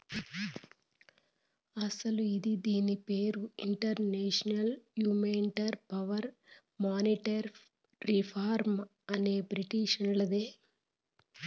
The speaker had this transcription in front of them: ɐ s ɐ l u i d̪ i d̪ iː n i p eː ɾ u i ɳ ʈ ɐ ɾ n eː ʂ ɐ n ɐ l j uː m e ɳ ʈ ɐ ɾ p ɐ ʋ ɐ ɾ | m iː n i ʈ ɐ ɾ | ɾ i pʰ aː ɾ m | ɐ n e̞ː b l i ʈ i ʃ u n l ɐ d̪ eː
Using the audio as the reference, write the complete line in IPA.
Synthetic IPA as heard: ɐ s ɐ l u i d̪ i d̪ iː n i p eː ɾ u i ɳ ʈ ɐ ɾ n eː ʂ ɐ n ɐ l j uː m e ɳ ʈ ɐ ɾ p ɐ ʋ ɐ ɾ | m aː n i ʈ ɐ ɾ | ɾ i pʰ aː ɾ m | ɐ n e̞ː b ɾ i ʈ i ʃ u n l ɐ d̪ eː